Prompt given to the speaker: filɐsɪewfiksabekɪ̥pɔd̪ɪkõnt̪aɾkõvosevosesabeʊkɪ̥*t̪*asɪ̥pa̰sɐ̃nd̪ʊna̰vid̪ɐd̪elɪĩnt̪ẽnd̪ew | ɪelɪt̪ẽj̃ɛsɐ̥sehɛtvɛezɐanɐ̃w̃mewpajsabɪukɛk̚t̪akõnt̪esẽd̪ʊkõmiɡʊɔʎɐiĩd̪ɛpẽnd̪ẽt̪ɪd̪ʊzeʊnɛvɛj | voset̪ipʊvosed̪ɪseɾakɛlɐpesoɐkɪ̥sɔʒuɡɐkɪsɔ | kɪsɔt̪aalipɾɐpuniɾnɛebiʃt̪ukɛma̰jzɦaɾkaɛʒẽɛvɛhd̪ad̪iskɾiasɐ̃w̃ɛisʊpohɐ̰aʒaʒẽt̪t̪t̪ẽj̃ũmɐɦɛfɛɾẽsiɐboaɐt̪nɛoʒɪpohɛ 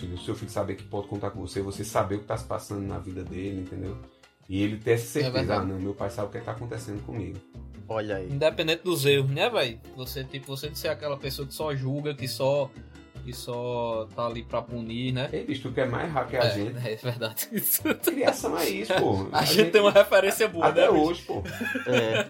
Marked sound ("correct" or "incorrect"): correct